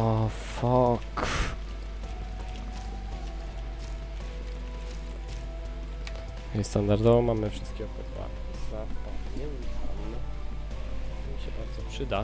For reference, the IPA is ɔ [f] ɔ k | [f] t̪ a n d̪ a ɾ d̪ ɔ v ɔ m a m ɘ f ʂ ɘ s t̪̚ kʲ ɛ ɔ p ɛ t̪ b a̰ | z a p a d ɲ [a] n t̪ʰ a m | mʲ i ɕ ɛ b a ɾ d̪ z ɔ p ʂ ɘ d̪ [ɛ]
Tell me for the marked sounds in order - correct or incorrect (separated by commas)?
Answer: correct, incorrect, incorrect, incorrect